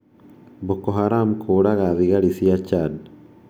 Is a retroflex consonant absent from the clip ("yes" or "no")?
no